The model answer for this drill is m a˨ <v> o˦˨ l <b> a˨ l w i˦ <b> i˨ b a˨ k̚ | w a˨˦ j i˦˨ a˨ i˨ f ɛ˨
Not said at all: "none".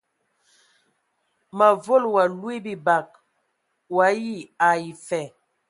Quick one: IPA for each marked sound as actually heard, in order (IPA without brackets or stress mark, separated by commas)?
v, w, b